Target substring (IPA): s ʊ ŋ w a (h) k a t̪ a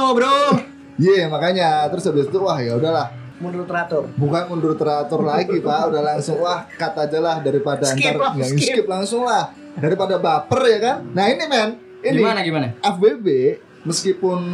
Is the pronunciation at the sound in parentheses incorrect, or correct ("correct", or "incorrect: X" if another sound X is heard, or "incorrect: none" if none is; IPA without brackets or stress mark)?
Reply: correct